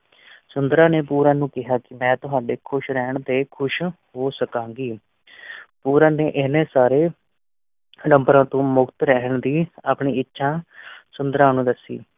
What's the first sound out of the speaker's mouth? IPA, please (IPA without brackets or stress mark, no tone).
s